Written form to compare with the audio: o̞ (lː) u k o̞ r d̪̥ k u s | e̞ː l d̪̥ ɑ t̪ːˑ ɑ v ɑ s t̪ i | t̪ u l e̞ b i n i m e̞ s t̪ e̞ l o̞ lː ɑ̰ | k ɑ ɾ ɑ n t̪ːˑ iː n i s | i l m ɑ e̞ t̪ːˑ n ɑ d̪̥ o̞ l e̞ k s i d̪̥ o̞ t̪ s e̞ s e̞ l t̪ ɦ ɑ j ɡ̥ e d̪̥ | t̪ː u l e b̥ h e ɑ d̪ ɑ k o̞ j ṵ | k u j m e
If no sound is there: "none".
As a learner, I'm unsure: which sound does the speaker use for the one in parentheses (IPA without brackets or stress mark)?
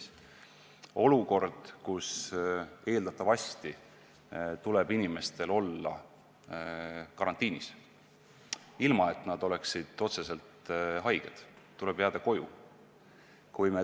l